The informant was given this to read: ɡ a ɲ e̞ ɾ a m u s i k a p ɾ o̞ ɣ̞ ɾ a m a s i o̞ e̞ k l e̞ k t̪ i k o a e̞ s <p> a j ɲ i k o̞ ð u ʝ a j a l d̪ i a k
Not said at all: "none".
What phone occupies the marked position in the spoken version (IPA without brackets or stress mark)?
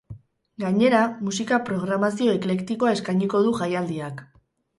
k